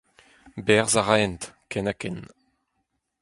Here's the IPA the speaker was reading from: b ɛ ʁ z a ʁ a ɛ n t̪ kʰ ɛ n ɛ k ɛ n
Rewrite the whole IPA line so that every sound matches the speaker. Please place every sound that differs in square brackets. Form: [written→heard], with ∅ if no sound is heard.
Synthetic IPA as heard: b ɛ ʁ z a ʁ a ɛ n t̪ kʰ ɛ n [ɛ→a] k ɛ n

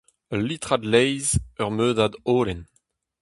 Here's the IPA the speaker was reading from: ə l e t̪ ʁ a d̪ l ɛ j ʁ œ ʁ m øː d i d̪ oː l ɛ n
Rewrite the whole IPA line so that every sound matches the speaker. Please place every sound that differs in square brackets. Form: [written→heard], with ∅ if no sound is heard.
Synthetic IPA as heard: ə l [e→i] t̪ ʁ a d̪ l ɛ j [ʁ→z] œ ʁ m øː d [i→a] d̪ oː l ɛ n

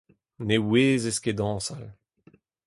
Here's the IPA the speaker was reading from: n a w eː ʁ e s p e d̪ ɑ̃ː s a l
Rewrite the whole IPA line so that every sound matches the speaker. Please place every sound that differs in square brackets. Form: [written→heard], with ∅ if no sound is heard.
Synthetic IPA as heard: n [a→e] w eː [ʁ→z] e s [p→k] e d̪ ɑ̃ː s a l

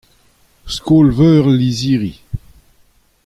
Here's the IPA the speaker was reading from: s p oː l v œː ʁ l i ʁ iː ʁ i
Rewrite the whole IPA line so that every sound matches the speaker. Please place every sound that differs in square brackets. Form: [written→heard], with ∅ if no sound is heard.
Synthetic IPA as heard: s [p→k] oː l v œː ʁ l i [ʁ→z] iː ʁ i

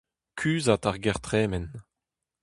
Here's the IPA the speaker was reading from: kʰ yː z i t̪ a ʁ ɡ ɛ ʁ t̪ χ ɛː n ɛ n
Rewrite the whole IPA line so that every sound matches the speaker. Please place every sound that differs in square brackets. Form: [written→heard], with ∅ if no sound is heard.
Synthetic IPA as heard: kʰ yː z [i→a] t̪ a ʁ ɡ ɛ ʁ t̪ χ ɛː [n→m] ɛ n

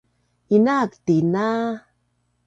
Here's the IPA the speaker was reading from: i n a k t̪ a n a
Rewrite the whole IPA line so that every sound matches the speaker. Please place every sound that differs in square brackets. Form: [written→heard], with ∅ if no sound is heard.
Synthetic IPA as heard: i n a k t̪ [a→i] n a

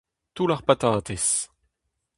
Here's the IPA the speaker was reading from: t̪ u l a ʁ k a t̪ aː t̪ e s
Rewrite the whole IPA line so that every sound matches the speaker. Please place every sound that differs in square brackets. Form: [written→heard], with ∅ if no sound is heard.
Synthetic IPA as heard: t̪ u l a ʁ [k→p] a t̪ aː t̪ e s

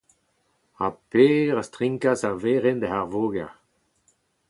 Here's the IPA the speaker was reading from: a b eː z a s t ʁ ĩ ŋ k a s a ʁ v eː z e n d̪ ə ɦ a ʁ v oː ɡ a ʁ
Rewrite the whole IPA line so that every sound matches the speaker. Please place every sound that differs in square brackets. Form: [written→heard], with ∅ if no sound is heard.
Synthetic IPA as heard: a [b→p] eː [z→ʁ] a s t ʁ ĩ ŋ k a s a ʁ v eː [z→ʁ] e n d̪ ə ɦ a ʁ v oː ɡ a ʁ

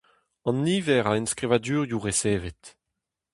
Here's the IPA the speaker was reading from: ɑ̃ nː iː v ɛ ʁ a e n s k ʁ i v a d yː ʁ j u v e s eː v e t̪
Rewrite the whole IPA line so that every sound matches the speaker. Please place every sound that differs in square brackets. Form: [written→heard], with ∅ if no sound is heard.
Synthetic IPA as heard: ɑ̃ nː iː v ɛ ʁ a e n s k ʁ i v a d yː ʁ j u [v→ʁ] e s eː v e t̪

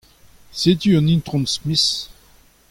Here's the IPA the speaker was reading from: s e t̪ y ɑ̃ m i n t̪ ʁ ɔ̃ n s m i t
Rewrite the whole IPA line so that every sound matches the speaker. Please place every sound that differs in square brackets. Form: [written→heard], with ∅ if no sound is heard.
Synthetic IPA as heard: s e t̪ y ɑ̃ [m→n] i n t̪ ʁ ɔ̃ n s m i [t→s]

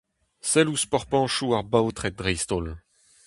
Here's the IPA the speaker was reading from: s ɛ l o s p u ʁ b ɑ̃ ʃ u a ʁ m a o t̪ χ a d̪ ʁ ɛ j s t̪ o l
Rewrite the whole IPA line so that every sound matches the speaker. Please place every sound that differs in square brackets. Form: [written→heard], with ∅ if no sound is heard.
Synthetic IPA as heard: s ɛ l [o→u] s p [u→ɔ] ʁ [b→p] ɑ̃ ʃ u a ʁ [m→b] a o t̪ χ [a→ɛ] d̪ ʁ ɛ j s t̪ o l

